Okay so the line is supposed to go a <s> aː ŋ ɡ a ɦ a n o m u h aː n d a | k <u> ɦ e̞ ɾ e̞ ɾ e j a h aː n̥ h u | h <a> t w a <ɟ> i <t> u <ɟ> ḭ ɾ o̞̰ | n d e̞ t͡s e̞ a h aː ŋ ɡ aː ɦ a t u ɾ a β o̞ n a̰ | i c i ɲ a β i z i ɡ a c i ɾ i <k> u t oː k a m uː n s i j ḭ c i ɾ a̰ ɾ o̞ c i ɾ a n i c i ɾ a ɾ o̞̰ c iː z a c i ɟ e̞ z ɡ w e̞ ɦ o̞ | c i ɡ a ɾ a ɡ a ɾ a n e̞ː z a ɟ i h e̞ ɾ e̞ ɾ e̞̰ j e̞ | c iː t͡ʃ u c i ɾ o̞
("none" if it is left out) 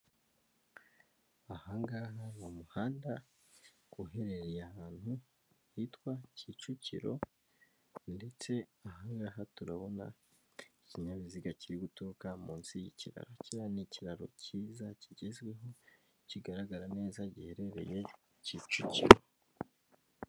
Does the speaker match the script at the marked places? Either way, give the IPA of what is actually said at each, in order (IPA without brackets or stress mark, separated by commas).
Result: h, u, i, c, t͡ʃ, c, ɡ